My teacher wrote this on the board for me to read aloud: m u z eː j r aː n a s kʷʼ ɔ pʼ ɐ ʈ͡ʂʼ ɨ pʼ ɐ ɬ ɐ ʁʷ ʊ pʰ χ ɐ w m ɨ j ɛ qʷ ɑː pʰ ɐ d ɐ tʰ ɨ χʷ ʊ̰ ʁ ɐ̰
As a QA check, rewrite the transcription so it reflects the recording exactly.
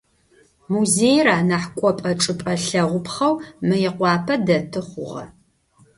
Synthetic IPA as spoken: m u z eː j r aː n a ħ kʷʼ ɔ pʼ ɐ ʈ͡ʂʼ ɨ pʼ ɐ ɬ ɐ ʁʷ ʊ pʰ χ ɐ w m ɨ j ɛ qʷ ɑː pʰ ɐ d ɐ tʰ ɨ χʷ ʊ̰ ʁ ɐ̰